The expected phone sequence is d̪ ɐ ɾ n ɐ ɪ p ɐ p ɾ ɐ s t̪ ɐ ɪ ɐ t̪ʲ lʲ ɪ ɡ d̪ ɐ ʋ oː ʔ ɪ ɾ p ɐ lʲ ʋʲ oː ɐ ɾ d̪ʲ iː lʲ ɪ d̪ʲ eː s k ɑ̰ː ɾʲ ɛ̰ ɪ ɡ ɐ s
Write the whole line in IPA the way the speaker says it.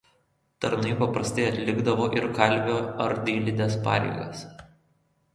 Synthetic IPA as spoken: t̪ ɐ ɾ n ɐ ɪ p ɐ p ɾ ɐ s t̪ ɐ ɪ ɐ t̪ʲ lʲ ɪ ɡ d̪ ɐ ʋ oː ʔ ɪ ɾ k ɐ lʲ ʋʲ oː ɐ ɾ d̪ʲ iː lʲ ɪ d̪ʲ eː s p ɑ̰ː ɾʲ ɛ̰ ɪ ɡ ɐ s